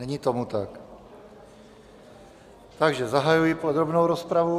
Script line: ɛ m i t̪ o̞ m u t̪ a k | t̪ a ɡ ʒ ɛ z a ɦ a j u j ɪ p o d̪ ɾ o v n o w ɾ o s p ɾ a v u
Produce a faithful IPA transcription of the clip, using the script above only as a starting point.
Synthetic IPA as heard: ɛ ɲ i t̪ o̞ m u t̪ a k | t̪ a ɡ ʒ ɛ z a ɦ a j u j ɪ p o d̪ ɾ o b n o w ɾ o s p ɾ a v u